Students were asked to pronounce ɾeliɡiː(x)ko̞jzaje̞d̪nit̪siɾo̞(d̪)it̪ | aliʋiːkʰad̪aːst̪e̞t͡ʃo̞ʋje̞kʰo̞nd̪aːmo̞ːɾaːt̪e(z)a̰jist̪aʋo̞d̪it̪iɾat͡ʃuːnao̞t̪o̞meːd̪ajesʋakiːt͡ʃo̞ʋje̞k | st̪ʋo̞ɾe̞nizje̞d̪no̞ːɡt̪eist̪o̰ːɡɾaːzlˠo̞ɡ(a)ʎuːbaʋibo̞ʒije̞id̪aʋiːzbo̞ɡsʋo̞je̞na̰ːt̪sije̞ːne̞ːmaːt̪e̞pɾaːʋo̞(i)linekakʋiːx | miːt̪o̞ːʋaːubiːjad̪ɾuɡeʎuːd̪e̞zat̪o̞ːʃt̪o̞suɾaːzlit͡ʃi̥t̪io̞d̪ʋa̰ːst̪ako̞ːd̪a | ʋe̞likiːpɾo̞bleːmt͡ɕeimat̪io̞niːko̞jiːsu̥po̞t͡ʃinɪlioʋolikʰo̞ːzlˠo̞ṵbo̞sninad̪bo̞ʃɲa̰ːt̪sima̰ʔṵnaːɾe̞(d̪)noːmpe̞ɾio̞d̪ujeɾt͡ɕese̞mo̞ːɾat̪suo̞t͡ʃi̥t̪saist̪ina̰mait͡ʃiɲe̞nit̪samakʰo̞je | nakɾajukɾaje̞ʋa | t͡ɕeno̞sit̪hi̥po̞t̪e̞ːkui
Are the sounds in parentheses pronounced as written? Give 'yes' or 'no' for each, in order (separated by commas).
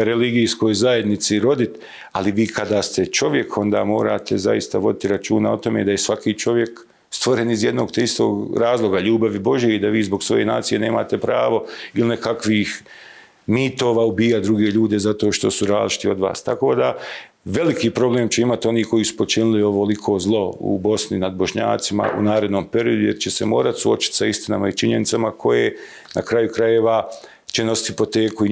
no, yes, yes, yes, yes, yes